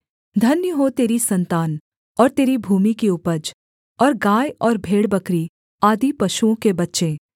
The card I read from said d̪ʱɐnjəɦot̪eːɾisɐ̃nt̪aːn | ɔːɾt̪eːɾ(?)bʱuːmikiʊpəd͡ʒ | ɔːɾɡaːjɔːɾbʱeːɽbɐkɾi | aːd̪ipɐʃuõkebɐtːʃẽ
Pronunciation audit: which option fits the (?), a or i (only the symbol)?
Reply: i